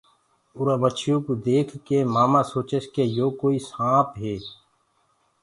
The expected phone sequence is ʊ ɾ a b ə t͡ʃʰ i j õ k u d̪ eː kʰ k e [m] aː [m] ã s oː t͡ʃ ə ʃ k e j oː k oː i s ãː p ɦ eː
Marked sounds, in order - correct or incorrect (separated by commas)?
correct, correct